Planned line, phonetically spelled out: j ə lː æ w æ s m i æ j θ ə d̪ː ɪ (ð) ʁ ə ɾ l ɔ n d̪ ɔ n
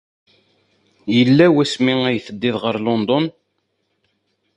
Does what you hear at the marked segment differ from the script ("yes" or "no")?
no